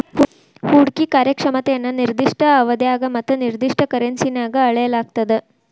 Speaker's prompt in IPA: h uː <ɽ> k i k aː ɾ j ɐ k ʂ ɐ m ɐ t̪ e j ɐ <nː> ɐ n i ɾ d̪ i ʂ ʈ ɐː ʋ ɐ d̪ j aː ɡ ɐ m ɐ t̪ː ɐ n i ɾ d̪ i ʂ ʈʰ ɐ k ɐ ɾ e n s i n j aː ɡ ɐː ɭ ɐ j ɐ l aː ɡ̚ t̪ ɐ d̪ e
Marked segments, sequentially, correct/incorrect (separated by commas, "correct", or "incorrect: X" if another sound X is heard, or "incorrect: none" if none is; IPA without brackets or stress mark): correct, correct